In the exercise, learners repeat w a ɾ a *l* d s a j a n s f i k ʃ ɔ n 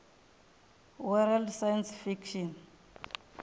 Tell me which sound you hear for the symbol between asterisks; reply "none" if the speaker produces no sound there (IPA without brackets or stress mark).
l